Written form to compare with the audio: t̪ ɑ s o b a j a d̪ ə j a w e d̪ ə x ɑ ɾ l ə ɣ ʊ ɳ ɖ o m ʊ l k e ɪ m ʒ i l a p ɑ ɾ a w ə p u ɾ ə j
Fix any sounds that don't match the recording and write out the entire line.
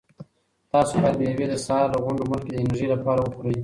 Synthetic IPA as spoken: t̪ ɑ s o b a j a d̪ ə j a w e d̪ ə s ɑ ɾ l ə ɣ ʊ ɳ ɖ o m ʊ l k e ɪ n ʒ i l a p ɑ ɾ a w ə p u ɾ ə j